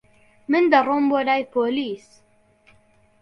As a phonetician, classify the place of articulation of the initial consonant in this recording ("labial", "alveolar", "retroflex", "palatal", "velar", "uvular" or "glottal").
labial